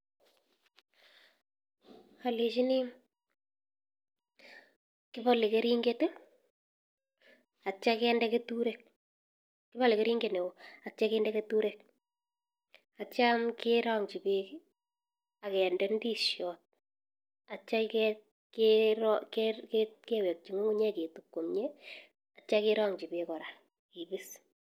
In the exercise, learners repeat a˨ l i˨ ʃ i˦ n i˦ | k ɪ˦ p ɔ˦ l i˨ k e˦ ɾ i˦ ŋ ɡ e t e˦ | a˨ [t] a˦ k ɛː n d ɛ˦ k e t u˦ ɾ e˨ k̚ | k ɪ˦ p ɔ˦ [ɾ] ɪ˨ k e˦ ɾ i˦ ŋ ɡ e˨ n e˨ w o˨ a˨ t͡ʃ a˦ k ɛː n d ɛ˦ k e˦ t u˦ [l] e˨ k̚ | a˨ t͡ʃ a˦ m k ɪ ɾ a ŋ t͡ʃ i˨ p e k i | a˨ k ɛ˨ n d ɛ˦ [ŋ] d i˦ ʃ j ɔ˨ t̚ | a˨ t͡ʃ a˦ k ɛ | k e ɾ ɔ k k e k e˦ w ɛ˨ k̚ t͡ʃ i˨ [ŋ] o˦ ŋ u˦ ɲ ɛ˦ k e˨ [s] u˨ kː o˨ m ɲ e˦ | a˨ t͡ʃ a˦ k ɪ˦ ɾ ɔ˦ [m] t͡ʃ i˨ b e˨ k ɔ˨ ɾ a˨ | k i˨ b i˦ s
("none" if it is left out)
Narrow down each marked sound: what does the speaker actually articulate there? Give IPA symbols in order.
t͡ʃ, l, ɾ, n, ŋ, t, ŋ

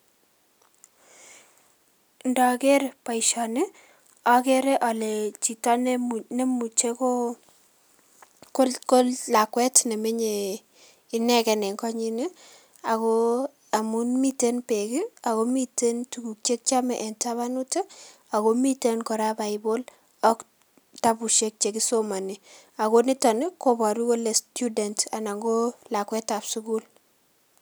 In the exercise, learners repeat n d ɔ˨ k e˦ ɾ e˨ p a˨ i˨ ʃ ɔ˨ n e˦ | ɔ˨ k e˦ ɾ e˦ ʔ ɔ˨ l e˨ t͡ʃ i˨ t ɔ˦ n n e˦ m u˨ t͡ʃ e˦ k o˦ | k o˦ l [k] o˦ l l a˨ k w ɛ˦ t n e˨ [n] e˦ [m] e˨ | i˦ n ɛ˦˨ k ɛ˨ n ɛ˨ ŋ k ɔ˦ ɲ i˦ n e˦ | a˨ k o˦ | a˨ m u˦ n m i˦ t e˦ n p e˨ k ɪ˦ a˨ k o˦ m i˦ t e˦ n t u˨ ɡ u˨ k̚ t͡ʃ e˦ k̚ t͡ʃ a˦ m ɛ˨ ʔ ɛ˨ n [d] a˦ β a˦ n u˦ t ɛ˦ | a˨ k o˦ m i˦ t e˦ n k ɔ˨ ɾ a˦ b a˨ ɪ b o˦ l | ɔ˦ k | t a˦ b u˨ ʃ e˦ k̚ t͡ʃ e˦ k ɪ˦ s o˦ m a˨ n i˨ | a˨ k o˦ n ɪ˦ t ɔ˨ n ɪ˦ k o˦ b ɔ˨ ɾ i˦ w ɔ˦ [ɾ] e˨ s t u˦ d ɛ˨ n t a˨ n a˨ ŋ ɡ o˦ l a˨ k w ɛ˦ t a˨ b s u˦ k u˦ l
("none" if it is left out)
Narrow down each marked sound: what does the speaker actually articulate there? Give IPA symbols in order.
k, m, ɲ, t, l

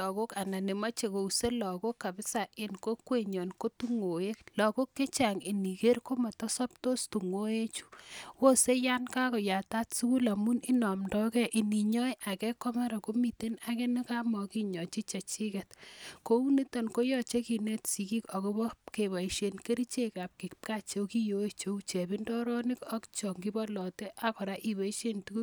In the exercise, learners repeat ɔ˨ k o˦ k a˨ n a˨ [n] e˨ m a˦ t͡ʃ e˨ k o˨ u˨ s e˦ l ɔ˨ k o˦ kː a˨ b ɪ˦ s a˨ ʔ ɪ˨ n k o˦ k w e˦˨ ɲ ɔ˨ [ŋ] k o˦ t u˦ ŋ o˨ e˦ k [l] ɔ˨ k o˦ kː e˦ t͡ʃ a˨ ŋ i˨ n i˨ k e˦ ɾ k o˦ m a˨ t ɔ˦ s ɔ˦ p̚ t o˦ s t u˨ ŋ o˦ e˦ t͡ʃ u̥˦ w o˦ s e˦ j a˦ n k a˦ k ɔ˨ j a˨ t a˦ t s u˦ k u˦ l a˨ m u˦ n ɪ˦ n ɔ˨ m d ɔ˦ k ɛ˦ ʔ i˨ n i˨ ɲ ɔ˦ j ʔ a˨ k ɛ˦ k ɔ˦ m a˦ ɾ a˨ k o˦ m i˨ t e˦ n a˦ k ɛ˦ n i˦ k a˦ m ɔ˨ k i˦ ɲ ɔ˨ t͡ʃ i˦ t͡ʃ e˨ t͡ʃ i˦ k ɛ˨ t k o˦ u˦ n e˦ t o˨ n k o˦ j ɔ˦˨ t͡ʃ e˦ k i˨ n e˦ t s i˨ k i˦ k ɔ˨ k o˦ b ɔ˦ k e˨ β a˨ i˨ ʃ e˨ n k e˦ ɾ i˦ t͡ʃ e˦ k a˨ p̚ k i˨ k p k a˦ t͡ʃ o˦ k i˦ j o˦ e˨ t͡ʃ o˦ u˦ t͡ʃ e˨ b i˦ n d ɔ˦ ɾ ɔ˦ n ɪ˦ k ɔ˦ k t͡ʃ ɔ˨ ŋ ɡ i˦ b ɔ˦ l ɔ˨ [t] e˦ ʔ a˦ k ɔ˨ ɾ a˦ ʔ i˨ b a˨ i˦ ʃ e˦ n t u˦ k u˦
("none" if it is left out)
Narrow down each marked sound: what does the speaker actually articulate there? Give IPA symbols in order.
n, n, l, t

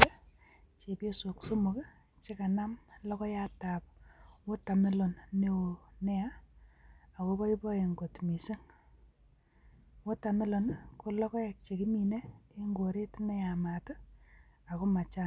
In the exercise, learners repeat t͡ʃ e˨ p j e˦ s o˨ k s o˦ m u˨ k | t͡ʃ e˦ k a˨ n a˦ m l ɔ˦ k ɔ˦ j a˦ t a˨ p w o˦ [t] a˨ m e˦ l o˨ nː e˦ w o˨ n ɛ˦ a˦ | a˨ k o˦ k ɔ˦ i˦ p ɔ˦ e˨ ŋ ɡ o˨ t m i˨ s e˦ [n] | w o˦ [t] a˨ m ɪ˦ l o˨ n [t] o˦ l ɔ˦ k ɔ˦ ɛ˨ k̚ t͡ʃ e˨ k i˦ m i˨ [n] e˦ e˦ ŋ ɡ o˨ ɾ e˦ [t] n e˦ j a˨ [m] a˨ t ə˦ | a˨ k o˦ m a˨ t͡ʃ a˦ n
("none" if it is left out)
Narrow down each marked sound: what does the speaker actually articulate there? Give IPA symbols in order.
t, ŋ, t, k, n, t, m

